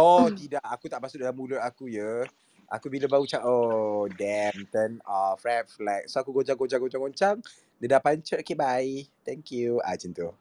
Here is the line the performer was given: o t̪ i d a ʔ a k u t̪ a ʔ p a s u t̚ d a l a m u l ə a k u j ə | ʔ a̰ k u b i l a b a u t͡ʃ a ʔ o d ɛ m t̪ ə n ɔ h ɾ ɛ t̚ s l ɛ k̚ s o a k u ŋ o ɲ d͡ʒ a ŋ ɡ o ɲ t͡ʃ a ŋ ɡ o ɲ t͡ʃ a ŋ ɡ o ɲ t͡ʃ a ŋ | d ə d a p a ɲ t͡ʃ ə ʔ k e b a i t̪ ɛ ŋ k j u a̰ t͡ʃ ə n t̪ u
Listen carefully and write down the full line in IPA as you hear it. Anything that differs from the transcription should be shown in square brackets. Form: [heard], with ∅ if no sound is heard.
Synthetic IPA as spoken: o t̪ i d a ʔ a k u t̪ a ʔ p a s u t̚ d a l a m u l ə a k u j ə | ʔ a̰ k u b i l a b a u t͡ʃ a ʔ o d ɛ m t̪ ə n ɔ [f] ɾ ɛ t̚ [f] l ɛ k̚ s o a k u [ɡ] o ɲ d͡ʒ a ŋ ɡ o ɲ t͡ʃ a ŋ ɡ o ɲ t͡ʃ a ŋ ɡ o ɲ t͡ʃ a ŋ | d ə d a p a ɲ t͡ʃ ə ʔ k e b a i t̪ ɛ ŋ k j u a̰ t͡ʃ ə n t̪ u